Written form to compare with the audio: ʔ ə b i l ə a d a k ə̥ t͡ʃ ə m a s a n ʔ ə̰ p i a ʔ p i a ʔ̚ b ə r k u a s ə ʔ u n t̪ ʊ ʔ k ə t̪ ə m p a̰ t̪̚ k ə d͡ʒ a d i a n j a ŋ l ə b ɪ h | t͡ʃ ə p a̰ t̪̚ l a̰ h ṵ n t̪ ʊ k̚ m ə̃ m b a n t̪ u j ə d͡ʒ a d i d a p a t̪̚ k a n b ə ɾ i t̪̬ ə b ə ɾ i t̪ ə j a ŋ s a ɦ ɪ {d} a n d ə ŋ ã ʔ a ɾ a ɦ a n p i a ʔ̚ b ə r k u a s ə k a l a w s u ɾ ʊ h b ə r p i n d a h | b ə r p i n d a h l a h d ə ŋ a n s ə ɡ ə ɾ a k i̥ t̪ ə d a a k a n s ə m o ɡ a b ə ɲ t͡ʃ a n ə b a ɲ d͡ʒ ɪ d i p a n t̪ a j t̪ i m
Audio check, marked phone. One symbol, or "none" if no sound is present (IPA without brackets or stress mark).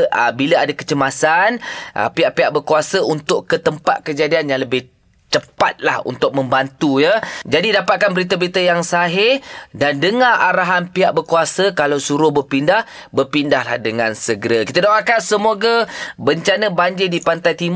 d